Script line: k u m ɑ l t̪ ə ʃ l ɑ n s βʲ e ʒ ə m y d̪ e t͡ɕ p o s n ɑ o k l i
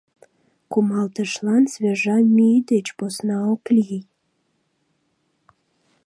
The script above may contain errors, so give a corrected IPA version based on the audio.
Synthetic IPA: k u m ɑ l t̪ ə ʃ l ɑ n s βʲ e ʒ ɑ m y d̪ e t͡ɕ p o s n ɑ o k l i